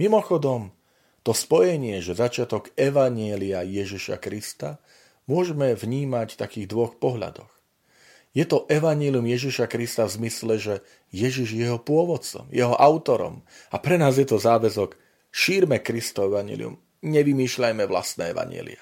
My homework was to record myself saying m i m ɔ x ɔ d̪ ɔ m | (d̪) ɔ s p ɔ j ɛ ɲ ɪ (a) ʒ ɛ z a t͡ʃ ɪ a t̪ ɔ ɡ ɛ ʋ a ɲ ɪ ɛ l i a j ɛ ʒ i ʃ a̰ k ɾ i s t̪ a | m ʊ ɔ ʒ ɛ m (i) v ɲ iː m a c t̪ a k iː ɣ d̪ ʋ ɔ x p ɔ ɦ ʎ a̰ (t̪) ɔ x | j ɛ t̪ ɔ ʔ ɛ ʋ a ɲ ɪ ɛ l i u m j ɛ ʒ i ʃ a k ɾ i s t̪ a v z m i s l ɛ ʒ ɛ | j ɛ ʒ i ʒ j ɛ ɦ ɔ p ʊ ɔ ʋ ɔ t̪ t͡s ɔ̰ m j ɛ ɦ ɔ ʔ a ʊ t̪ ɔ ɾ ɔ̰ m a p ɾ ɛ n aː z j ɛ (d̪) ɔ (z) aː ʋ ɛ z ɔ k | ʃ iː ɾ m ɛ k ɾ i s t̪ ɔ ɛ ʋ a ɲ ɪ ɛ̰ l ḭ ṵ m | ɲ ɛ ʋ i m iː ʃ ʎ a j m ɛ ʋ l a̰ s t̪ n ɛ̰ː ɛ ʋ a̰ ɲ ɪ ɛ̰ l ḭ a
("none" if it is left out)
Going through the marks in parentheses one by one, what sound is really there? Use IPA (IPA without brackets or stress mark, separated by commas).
t̪, ɛ, ɛ, d̪, t̪, z